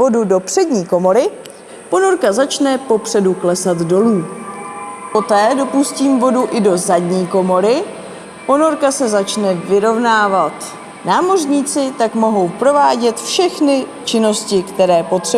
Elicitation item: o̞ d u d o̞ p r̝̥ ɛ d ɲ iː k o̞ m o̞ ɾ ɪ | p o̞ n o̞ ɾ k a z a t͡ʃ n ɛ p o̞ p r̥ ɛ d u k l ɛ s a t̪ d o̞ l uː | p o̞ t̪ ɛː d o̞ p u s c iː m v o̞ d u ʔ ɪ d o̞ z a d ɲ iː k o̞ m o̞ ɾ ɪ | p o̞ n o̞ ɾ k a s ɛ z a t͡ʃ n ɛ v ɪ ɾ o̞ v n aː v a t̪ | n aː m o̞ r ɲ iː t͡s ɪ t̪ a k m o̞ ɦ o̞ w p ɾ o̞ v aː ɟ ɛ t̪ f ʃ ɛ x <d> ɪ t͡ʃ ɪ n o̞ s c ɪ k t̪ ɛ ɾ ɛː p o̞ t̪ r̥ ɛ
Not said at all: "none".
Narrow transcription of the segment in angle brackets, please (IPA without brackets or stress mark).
n